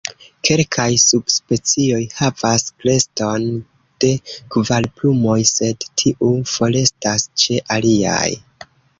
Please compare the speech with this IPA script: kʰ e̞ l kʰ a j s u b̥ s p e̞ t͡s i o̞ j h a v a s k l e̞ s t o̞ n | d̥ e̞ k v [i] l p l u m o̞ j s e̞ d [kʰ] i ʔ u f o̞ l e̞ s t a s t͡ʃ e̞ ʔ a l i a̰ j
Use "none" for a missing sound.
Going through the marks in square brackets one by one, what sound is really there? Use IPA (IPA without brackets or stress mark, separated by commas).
a, tʰ